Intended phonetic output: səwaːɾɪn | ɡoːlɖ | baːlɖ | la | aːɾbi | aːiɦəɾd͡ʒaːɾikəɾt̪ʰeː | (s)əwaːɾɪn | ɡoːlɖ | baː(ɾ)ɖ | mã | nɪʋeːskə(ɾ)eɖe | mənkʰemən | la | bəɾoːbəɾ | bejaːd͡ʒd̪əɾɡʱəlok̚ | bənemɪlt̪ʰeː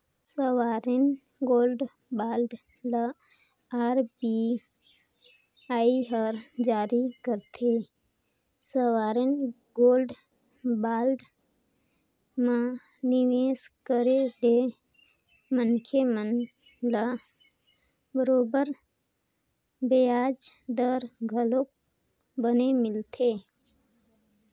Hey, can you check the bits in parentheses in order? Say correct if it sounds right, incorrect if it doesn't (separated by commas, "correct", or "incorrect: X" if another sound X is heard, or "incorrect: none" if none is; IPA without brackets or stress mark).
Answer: correct, incorrect: l, correct